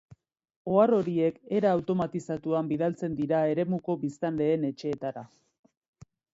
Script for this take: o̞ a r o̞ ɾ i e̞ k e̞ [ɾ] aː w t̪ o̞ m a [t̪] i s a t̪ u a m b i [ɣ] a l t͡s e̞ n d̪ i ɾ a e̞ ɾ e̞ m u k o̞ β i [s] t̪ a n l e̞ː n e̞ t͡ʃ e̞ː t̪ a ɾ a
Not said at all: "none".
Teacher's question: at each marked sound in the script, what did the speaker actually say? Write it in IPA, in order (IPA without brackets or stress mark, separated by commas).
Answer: ɾ, t̪, ð, s